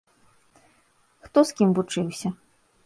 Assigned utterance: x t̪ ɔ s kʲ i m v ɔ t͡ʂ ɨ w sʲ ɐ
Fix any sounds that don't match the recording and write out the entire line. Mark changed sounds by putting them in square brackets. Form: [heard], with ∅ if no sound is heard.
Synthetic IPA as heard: x t̪ ɔ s kʲ i m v [u] t͡ʂ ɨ w sʲ ɐ